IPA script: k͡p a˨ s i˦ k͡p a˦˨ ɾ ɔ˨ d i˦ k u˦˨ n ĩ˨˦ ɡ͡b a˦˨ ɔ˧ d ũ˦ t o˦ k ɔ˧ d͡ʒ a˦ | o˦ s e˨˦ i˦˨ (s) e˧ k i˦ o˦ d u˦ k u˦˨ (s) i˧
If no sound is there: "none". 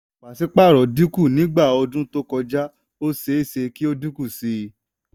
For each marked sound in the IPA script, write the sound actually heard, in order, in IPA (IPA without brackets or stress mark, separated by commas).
s, s